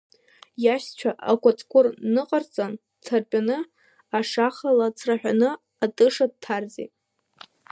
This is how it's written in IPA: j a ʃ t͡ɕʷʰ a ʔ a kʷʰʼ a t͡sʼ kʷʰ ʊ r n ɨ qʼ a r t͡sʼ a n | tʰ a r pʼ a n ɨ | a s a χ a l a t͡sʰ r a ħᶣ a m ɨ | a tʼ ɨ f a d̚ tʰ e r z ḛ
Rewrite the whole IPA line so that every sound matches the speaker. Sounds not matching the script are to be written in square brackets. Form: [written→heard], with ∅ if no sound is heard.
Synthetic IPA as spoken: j a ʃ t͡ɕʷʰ a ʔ a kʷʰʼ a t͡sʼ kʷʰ ʊ r n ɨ qʼ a r t͡sʼ a n | tʰ a r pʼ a n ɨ | a [s→ʂ] a χ a l a t͡sʰ r a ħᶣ a [m→n] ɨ | a tʼ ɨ [f→ʂ] a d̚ tʰ [e→a] r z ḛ